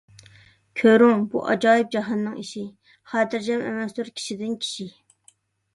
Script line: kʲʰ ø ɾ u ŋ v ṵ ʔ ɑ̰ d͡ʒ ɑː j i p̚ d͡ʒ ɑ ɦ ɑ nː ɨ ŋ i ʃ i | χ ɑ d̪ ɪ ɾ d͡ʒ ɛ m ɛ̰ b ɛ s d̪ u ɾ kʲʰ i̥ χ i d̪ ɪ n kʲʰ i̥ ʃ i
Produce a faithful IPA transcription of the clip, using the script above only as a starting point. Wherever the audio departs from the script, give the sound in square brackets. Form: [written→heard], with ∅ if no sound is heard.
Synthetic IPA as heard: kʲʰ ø ɾ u ŋ [v→b] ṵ ʔ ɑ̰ d͡ʒ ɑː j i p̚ d͡ʒ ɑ ɦ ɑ nː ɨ ŋ i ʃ i | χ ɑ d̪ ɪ ɾ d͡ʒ ɛ m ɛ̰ [b→m] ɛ s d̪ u ɾ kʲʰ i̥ [χ→ʃ] i d̪ ɪ n kʲʰ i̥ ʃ i